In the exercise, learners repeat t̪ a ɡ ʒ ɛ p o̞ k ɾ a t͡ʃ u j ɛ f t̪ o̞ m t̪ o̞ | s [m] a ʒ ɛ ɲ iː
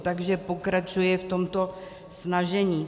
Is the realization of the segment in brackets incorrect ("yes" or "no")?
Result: yes